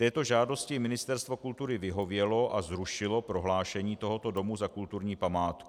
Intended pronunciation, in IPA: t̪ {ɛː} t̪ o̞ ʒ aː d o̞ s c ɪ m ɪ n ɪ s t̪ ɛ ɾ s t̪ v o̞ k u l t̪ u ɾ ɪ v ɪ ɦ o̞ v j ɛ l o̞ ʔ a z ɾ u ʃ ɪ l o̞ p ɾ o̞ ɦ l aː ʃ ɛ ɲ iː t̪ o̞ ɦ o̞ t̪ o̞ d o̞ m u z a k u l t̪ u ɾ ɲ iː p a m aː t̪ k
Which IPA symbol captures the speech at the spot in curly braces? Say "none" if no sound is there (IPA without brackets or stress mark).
ɛː